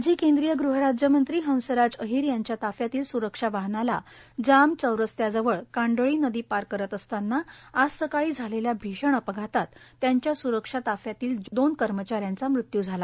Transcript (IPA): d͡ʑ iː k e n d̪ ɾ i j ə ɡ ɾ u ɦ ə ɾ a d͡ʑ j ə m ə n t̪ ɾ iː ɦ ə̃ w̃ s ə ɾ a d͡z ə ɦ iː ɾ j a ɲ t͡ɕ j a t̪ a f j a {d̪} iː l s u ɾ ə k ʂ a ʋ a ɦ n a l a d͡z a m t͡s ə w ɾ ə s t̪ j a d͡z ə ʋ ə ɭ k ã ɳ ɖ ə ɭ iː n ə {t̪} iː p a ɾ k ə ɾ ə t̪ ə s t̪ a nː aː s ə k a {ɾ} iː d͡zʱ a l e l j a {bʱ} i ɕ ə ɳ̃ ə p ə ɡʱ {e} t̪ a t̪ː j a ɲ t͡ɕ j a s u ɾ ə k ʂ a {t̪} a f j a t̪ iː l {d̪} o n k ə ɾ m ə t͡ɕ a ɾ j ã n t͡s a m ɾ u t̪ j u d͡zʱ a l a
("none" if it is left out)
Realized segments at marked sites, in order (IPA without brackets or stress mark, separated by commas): t̪, d̪, ɭ, bʱ, a, t̪, d̪